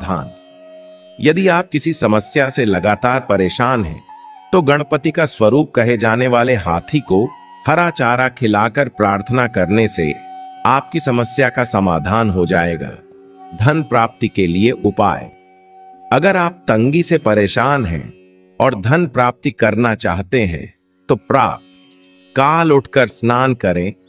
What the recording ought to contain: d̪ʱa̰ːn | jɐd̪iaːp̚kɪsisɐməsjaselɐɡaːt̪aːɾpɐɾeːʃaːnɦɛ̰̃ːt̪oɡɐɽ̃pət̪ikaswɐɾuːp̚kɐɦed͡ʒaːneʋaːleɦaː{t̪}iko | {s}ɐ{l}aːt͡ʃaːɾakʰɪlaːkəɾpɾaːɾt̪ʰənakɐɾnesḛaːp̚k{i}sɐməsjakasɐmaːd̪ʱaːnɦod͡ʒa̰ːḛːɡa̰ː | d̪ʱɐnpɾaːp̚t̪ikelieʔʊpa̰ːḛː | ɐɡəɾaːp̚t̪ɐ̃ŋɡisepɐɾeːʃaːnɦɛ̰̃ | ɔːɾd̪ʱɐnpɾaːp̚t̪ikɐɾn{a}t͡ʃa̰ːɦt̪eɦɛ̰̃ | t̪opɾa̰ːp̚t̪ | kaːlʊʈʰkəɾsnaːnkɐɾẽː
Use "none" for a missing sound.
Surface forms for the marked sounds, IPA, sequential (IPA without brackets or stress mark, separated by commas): t̪ʰ, h, ɾ, i, a